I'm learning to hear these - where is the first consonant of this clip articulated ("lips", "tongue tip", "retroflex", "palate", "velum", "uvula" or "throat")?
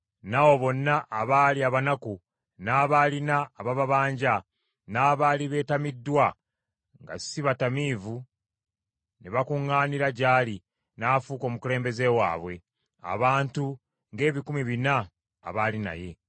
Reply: tongue tip